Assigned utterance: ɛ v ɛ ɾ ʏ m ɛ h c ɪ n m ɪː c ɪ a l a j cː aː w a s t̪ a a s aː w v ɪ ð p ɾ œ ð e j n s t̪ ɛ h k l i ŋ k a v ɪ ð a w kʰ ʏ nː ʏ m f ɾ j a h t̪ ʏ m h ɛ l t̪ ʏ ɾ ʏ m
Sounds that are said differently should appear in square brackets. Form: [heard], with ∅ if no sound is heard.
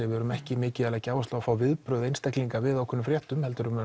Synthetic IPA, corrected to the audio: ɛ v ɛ ɾ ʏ m ɛ h c ɪ [∅] m ɪː c ɪ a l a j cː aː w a s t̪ a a [f] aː w v ɪ ð p ɾ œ ð e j n s t̪ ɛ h k l i ŋ k a v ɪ ð a w kʰ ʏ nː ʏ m f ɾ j [ɛ] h t̪ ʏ m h ɛ l t̪ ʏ ɾ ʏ m